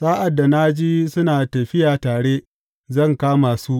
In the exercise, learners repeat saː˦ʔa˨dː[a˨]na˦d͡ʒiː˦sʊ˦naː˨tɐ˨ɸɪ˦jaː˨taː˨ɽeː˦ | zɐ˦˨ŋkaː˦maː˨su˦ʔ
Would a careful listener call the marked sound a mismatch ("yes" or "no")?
no